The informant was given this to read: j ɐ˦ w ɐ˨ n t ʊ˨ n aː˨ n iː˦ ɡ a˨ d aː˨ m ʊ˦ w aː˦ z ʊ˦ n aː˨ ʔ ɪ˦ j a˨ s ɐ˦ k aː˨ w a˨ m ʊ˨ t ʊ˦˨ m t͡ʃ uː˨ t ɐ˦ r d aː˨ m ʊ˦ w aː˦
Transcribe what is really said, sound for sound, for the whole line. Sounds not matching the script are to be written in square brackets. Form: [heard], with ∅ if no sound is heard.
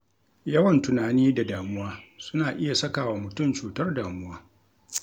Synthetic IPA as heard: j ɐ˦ w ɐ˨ n t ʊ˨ n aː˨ n iː˦ [d] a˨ d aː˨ m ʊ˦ w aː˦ [s] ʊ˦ n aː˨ ʔ ɪ˦ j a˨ s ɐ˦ k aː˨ w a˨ m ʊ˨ t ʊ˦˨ m t͡ʃ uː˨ t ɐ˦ r d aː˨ m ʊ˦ w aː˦